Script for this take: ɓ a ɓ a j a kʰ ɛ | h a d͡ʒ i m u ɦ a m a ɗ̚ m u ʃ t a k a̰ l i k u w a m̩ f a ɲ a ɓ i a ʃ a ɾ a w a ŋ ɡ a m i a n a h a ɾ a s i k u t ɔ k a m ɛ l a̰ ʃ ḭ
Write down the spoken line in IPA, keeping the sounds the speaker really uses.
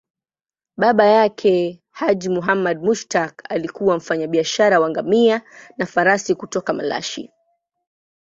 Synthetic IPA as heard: ɓ a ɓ a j a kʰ ɛ | h a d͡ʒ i m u ɦ a m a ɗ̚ m u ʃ t a k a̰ l i k u w a m̩ f a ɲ a ɓ i a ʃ a ɾ a w a ŋ ɡ a m i a n a f a ɾ a s i k u t ɔ k a m a l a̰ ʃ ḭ